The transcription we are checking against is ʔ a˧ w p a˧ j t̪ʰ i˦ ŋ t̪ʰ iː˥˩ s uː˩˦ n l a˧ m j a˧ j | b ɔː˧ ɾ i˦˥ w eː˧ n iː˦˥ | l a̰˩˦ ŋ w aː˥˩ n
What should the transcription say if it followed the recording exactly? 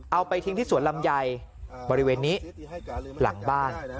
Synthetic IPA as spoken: ʔ a˧ w p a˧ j t̪ʰ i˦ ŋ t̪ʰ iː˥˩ s u˩˦ n l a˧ m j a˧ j | b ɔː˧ ɾ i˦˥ w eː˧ nː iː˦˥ | l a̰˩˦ ŋ b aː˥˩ n